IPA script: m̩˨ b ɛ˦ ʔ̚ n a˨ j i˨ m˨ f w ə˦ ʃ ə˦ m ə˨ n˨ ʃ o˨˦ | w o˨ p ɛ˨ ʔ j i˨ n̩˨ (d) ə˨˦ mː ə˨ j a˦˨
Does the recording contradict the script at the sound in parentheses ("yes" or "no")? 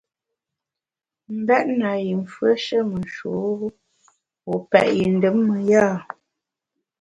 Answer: no